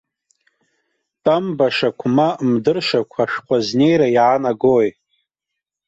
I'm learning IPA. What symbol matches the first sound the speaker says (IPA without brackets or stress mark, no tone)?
tʼ